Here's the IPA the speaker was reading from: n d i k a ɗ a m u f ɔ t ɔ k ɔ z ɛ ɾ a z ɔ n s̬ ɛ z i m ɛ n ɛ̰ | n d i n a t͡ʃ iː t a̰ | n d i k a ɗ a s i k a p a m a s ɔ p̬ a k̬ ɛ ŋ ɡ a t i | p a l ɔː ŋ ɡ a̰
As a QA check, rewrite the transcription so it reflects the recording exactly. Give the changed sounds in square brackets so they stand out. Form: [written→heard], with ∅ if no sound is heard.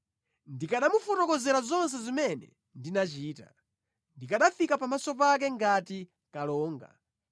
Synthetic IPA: n d i k a ɗ a m u f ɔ t ɔ k ɔ z ɛ ɾ a z ɔ n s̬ ɛ z i m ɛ n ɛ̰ | n d i n a t͡ʃ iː t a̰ | n d i k a ɗ a [s→f] i k a p a m a s ɔ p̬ a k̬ ɛ ŋ ɡ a t i | [p→k] a l ɔː ŋ ɡ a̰